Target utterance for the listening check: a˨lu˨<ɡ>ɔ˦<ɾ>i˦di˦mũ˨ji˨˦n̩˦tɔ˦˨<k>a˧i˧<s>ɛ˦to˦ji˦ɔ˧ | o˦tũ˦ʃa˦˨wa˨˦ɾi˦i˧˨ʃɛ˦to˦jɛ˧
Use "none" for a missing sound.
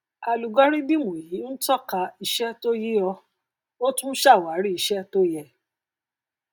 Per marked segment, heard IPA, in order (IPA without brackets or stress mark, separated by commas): ɡ, ɾ, k, ʃ